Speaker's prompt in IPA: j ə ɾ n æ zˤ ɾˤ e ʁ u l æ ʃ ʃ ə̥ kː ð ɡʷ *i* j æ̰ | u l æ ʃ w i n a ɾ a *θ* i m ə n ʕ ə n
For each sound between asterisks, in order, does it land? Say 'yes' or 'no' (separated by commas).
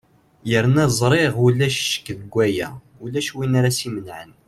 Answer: no, no